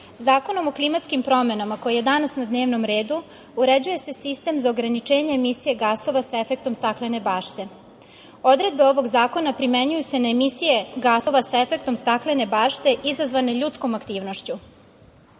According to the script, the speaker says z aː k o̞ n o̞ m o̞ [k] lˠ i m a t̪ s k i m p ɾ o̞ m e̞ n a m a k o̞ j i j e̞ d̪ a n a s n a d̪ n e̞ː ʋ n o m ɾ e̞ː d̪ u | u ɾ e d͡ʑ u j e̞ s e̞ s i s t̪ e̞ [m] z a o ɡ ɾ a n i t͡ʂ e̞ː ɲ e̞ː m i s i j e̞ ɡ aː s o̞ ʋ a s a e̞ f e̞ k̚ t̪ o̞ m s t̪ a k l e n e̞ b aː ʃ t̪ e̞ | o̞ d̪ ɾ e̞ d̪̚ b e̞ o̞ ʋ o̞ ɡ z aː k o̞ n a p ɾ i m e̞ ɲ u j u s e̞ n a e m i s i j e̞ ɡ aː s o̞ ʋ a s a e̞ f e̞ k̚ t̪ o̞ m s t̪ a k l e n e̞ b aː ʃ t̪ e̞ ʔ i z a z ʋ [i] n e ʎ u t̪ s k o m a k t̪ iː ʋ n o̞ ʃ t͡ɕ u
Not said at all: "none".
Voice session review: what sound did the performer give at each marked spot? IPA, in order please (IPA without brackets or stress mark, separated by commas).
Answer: k, m, a